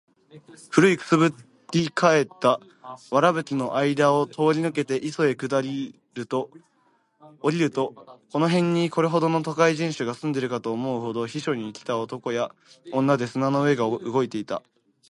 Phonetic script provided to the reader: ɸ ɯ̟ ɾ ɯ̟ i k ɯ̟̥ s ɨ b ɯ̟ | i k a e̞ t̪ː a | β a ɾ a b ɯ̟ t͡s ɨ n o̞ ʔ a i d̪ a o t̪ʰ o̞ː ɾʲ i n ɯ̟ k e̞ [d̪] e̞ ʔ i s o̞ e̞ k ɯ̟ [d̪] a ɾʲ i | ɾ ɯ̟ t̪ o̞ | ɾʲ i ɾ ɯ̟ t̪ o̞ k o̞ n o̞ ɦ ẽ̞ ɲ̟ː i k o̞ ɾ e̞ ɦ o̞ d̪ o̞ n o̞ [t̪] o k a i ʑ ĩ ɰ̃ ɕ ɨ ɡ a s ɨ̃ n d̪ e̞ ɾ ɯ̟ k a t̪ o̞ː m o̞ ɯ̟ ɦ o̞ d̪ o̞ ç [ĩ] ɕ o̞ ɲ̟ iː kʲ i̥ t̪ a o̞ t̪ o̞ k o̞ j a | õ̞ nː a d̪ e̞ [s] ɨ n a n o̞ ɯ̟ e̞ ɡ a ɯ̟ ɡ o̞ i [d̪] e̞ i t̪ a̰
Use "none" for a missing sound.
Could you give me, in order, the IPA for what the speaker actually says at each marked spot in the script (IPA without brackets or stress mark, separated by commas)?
t̪, d̪, t̪, i, s, t̪